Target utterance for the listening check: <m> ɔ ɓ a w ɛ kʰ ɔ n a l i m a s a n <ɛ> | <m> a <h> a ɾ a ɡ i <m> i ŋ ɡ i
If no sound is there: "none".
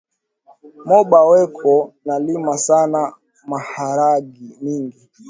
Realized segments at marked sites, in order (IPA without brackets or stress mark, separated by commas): m, a, m, h, m